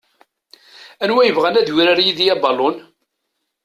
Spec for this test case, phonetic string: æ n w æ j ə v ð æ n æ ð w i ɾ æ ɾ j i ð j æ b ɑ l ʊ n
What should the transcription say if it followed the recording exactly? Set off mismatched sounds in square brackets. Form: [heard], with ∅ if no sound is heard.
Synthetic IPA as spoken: æ n w æ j ə v [ʁ] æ n æ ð w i ɾ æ ɾ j i ð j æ b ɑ l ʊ n